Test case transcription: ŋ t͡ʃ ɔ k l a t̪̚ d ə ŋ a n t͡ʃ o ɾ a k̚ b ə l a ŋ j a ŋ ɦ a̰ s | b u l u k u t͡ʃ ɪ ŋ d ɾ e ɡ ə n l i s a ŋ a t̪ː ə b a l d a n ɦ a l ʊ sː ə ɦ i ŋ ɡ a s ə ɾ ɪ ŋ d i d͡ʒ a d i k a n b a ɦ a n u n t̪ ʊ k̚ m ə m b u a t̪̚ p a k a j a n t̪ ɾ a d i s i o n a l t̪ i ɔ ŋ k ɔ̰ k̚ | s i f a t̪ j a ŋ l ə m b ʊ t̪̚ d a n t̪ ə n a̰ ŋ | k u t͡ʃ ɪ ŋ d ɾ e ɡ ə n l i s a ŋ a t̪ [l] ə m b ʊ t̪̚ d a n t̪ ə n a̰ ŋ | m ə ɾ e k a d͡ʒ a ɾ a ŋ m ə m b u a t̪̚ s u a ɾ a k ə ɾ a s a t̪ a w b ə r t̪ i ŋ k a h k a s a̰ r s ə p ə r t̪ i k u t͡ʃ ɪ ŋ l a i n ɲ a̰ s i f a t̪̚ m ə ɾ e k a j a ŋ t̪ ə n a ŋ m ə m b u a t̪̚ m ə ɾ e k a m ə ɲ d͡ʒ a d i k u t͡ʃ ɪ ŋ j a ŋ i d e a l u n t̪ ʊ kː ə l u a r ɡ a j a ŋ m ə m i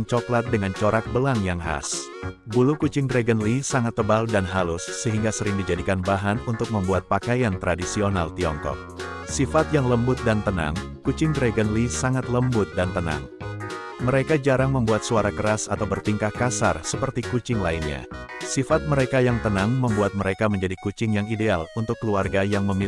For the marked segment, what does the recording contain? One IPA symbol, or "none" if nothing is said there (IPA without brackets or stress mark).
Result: l